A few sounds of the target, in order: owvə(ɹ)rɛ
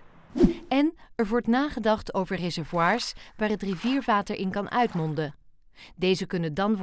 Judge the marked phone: correct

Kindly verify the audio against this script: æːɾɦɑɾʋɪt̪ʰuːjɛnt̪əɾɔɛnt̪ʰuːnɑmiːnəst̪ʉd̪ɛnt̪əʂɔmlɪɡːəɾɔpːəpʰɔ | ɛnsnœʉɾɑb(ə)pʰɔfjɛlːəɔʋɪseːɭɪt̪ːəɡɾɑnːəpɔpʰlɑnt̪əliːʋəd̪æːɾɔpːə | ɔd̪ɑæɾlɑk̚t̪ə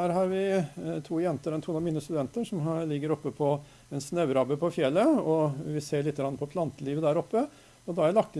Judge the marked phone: correct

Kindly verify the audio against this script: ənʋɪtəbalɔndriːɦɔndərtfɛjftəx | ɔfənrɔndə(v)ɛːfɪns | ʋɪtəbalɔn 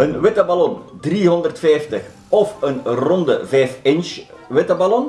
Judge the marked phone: correct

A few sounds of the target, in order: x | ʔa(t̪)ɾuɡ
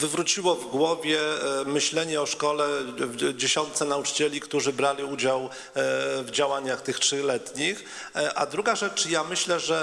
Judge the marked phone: incorrect: d̪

